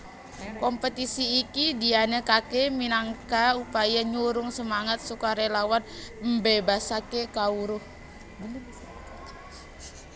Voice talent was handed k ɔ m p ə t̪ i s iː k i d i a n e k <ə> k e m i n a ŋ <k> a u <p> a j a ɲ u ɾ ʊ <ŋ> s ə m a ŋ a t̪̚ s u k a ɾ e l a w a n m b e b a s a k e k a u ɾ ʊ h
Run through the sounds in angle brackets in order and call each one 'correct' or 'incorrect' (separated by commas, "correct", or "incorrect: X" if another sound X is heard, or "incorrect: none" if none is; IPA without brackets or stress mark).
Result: incorrect: a, correct, correct, correct